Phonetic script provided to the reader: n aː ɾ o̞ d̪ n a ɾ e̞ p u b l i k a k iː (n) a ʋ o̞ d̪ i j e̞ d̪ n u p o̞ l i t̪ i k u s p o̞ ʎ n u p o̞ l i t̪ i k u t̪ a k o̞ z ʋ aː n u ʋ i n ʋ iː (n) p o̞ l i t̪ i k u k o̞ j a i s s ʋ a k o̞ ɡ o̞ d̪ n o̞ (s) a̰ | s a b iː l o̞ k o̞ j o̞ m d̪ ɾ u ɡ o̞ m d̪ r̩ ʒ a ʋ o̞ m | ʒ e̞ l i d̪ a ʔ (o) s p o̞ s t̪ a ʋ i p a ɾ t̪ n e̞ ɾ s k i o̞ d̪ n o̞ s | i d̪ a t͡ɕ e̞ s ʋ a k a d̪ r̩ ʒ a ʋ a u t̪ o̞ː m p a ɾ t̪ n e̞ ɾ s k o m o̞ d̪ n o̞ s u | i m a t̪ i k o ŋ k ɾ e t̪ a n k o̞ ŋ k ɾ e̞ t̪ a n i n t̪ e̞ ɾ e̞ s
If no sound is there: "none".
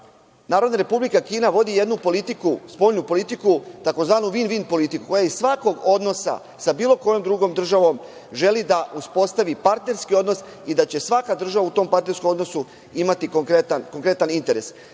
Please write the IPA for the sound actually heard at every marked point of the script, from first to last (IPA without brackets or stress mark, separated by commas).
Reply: n, n, s, u